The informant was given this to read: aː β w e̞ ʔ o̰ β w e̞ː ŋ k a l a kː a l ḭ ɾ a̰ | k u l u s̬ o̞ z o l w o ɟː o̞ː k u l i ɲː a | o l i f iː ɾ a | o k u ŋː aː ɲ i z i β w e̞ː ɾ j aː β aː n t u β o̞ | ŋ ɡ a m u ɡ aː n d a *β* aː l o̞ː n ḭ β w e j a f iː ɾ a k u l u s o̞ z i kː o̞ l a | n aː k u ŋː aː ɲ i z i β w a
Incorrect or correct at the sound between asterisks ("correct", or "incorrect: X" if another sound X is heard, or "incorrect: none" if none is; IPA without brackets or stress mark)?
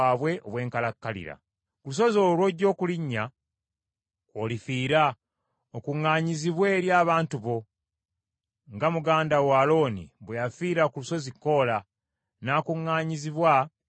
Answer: incorrect: w